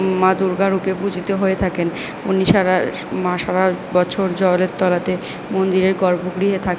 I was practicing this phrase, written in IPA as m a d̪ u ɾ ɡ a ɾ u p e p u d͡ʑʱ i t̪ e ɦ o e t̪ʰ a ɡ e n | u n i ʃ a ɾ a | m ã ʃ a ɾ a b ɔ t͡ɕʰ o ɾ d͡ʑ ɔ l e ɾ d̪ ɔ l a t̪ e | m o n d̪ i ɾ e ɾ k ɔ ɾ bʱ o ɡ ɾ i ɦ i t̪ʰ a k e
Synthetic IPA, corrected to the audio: m a d̪ u ɾ ɡ a ɾ u p e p u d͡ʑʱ i t̪ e ɦ o e t̪ʰ a k e n | u n i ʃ a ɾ a | m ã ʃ a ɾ a b ɔ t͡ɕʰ o ɾ d͡ʑ ɔ l e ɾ t̪ ɔ l a t̪ e | m o n d̪ i ɾ e ɾ ɡ ɔ ɾ bʱ o ɡ ɾ i ɦ e t̪ʰ a k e

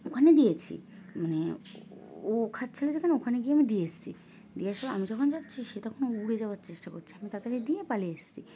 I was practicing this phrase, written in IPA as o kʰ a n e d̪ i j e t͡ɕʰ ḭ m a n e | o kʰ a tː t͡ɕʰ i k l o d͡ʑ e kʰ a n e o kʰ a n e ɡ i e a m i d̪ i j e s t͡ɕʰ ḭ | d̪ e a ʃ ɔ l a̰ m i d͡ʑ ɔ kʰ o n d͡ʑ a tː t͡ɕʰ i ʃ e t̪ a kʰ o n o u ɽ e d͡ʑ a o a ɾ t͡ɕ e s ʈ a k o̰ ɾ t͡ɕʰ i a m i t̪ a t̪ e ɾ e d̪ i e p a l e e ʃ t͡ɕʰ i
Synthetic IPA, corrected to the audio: o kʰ a n e d̪ i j e t͡ɕʰ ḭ m a n e | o kʰ a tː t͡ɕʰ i l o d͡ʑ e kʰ a n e o kʰ a n e ɡ i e a m i d̪ i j e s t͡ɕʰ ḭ | d̪ i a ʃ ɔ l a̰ m i d͡ʑ ɔ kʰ o n d͡ʑ a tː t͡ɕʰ i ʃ e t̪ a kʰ o n o u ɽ e d͡ʑ a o a ɾ t͡ɕ e ʃ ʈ a k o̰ ɾ t͡ɕʰ i a m i t̪ a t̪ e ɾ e d̪ i e p a l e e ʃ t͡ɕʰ i

